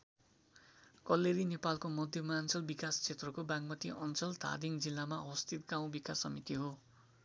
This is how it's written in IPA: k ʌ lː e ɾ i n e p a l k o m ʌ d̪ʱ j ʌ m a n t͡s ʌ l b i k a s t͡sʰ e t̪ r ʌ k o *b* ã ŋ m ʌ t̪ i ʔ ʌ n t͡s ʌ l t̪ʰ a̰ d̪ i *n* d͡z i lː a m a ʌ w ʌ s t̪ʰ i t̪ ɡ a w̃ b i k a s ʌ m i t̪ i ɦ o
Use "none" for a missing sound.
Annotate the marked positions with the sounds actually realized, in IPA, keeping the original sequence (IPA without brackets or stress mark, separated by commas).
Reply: b, ŋ